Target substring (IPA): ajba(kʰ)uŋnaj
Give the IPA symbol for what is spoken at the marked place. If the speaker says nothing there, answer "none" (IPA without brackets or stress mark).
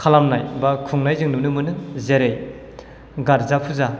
kʰ